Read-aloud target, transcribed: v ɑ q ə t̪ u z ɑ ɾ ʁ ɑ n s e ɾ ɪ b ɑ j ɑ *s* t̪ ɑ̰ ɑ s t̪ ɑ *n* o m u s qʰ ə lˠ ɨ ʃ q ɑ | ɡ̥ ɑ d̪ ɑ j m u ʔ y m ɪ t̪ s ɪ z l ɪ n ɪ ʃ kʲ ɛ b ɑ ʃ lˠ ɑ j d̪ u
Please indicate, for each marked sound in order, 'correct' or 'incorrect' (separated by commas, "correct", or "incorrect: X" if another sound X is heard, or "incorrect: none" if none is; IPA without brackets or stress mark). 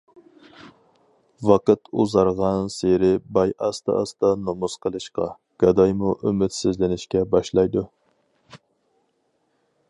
correct, correct